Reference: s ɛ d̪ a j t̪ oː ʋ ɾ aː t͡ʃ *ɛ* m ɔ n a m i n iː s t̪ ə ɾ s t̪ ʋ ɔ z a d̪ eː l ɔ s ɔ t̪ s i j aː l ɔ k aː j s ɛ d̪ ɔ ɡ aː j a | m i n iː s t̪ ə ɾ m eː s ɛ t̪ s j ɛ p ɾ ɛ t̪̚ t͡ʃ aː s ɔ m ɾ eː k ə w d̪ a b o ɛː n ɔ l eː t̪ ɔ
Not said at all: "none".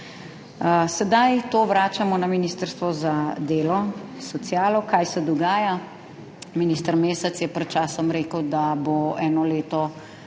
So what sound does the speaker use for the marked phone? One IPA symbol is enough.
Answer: a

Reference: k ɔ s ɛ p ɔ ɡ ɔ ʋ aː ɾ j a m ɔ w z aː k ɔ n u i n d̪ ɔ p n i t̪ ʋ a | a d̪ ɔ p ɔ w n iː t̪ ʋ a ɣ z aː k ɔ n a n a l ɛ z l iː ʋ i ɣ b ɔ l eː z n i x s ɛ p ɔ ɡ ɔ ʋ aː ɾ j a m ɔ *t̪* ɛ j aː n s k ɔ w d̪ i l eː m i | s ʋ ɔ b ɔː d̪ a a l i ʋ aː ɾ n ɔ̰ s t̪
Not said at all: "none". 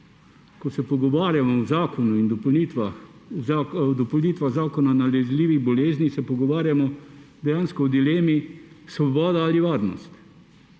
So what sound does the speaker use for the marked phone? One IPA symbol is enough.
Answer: d̪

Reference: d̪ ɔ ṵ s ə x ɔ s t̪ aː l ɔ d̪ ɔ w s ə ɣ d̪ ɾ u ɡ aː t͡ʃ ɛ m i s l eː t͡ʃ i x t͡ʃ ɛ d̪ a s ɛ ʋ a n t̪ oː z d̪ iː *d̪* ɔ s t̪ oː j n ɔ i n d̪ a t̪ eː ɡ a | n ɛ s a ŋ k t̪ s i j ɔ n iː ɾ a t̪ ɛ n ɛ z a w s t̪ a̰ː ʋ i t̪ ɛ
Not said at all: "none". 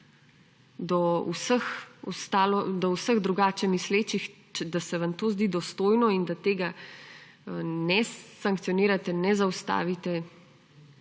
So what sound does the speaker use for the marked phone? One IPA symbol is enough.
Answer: d̪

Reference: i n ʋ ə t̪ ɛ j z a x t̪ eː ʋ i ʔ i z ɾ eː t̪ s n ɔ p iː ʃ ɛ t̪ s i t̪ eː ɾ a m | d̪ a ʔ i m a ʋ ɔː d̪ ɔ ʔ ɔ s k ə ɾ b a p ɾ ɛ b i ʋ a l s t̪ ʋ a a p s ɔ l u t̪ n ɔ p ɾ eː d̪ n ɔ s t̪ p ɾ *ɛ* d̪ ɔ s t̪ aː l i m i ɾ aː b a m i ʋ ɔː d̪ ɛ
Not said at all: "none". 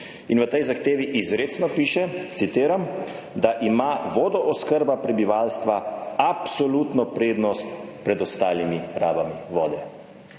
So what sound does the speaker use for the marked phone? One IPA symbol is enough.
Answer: ɛ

